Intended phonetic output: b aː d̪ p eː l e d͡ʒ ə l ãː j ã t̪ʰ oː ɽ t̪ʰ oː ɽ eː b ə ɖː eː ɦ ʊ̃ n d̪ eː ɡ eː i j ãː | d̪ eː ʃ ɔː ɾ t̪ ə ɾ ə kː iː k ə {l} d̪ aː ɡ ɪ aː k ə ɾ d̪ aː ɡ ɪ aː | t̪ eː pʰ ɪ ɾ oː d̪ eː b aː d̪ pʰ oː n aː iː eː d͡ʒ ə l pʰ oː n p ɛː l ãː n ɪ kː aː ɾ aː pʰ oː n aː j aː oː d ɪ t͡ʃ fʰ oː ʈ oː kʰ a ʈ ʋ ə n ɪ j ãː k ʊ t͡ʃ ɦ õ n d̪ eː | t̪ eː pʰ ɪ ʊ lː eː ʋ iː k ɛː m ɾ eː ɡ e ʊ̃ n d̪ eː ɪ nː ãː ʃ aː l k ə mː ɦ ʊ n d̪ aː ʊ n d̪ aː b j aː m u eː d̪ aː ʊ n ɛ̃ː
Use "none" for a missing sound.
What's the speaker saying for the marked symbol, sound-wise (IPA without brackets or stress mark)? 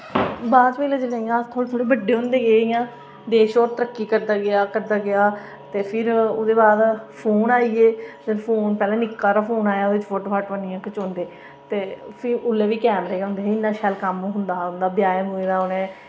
ɾ